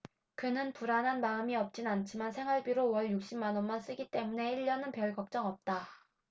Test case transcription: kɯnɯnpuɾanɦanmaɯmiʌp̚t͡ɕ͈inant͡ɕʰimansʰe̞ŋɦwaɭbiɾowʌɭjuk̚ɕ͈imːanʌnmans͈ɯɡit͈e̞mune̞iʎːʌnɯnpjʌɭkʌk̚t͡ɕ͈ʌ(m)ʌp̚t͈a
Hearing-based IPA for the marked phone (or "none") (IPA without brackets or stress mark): ŋ